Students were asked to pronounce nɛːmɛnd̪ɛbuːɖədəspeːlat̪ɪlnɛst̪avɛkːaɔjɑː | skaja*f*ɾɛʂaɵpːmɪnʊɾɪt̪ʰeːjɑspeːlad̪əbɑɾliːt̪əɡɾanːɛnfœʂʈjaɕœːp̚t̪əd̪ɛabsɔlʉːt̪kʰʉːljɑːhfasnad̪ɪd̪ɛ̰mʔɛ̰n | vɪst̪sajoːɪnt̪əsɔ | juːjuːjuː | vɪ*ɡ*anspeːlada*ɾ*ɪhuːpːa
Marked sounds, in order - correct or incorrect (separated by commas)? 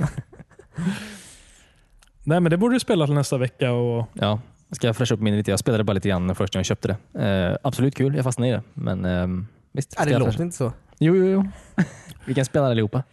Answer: correct, incorrect, incorrect